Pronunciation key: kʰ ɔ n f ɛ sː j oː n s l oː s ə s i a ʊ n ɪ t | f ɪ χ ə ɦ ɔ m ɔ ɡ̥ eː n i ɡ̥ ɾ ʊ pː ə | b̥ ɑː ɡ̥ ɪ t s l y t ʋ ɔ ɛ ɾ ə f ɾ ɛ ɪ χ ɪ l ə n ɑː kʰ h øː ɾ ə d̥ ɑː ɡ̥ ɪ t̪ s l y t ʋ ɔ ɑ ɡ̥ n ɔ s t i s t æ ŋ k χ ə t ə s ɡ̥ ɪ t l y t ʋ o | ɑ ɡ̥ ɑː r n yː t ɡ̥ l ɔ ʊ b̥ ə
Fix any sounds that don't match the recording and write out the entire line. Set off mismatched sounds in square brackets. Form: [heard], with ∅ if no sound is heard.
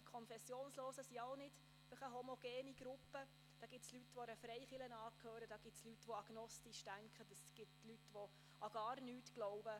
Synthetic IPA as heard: kʰ ɔ n f ɛ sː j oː n s l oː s ə s i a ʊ n ɪ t | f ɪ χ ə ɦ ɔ m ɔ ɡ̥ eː n i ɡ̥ ɾ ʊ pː ə | [d̥] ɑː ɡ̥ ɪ t s l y t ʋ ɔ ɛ ɾ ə f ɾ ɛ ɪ χ ɪ l ə n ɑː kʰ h øː ɾ ə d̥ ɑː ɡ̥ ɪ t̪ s l y t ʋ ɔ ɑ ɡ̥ n ɔ s t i [ʃ] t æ ŋ k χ ə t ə s ɡ̥ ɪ t l y t ʋ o | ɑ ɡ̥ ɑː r n yː t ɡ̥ l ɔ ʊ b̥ ə

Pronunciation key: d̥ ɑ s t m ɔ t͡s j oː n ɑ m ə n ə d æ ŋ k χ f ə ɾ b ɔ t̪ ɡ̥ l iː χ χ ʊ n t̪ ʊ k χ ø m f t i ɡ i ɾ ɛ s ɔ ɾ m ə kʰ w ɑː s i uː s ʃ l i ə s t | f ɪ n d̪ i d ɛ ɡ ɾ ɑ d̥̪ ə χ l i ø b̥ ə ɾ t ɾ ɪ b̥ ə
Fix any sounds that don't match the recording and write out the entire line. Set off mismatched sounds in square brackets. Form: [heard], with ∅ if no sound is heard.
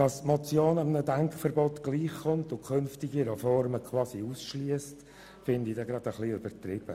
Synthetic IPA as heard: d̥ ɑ s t m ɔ t͡s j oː n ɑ m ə n ə d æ ŋ k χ f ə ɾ b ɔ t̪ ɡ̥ l iː χ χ ʊ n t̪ ʊ k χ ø [n] f t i ɡ i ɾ ɛ [f] ɔ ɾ m ə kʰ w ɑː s i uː s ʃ l i ə s t | f ɪ n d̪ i d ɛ ɡ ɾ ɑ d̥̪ ə χ l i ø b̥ ə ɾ t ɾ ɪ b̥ ə

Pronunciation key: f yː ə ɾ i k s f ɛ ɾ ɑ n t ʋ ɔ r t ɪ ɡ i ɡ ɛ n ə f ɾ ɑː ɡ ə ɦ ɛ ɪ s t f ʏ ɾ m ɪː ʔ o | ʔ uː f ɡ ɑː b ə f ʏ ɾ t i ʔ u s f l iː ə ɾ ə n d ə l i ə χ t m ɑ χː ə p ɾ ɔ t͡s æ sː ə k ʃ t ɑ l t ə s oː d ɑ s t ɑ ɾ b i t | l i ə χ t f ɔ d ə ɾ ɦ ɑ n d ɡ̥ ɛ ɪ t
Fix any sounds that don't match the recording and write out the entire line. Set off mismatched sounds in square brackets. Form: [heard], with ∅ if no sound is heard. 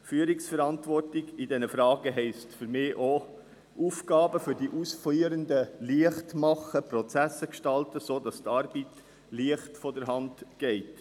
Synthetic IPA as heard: f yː ə ɾ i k s f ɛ ɾ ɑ n t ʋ ɔ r t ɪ ɡ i [d] ɛ n ə f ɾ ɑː ɡ ə ɦ ɛ ɪ s t f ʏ ɾ m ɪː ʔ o | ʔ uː f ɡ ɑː b ə f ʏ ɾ [d] i ʔ u s f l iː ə ɾ ə n d ə l i ə χ t m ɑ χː ə p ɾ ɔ t͡s æ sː ə k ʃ t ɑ l t ə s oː d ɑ s t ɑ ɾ b i t | l i ə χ t f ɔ d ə ɾ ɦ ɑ n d ɡ̥ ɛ ɪ t

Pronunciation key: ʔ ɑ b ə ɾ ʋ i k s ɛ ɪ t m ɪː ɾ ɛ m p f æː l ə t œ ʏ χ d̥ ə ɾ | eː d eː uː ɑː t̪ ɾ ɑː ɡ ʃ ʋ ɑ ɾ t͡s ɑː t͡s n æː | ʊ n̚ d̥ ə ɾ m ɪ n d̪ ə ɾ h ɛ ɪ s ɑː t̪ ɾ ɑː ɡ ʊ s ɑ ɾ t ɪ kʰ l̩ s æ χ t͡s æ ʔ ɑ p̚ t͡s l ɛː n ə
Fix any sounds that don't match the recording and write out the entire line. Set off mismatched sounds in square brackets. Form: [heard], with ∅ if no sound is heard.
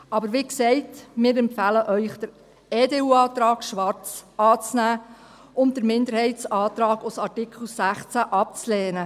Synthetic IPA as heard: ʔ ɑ b ə ɾ ʋ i k s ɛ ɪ t m ɪː ɾ ɛ m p f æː l ə [ʔ] œ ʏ χ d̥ ə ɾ | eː d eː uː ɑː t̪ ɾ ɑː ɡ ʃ ʋ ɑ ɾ t͡s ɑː t͡s n æː | ʊ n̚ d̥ ə ɾ m ɪ n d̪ ə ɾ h ɛ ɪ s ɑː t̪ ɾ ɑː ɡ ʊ s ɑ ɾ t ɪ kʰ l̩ s æ χ t͡s æ ʔ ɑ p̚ t͡s l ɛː n ə

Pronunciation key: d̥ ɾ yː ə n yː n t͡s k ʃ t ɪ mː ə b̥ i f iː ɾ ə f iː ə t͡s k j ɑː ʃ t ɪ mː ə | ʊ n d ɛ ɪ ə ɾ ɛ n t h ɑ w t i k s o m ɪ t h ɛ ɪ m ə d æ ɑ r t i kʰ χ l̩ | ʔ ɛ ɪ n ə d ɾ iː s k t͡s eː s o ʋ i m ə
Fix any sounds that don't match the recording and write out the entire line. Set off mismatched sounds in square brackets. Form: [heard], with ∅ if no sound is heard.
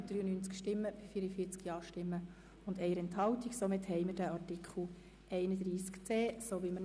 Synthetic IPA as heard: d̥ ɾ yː ə n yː n t͡s k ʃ t ɪ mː ə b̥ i f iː ɾ ə f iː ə t͡s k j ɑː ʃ t ɪ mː ə | ʊ n d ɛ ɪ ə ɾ ɛ n t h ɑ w t i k s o m ɪ t h ɛ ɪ m ə d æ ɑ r t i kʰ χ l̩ | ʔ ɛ ɪ n ə d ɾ iː s k t͡s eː s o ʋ i m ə

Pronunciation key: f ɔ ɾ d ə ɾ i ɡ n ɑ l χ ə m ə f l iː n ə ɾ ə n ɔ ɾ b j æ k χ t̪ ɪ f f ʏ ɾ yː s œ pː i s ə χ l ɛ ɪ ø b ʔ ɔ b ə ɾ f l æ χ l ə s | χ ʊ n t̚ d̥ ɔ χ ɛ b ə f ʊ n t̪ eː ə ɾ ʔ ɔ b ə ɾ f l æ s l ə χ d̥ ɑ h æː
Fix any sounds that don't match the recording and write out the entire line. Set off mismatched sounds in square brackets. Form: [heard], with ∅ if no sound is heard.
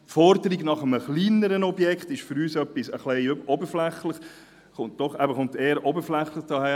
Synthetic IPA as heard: f ɔ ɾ d ə ɾ i ɡ n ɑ [∅] χ ə m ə [χ] l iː n ə ɾ ə n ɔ [∅] b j [ɛ] k χ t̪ ɪ [ʃ] f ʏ ɾ yː s œ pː i s ə χ l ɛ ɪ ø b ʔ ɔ b ə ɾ f l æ χ l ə [χ] | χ ʊ n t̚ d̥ ɔ χ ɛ b ə [χ] ʊ n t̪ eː ə ɾ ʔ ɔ b ə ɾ f l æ [χ] l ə χ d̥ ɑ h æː

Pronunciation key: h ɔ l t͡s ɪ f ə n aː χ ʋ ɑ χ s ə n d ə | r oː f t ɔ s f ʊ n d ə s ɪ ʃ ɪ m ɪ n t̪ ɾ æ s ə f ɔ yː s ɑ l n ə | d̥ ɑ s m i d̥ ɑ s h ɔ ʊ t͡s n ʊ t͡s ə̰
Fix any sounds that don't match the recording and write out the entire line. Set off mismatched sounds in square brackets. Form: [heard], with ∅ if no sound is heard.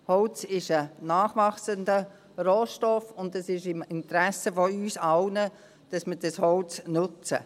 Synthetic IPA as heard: h ɔ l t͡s ɪ [ʃ] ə n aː χ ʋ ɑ χ s ə n d ə | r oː [ʃ] t ɔ [∅] f ʊ n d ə s ɪ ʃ ɪ m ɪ n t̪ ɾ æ s ə f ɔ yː s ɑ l n ə | d̥ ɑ s m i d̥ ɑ s h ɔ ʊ t͡s n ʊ t͡s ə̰

